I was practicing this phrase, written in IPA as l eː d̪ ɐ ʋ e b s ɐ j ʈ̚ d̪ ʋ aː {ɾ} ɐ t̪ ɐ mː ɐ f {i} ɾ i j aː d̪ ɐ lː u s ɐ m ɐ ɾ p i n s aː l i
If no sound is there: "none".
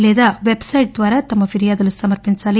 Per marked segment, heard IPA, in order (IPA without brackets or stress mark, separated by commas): ɾ, i